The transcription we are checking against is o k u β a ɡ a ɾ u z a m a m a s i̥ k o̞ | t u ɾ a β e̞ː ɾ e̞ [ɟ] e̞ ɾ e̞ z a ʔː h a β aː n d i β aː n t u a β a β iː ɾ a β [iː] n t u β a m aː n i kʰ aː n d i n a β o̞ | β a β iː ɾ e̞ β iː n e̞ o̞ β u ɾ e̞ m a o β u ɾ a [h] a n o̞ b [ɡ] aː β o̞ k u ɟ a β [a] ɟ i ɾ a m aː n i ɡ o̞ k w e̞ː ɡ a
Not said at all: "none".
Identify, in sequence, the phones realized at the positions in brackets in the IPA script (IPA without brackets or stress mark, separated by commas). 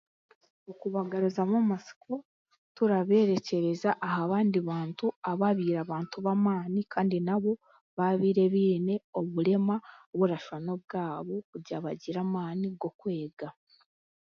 c, aː, ʃ, ɡ, a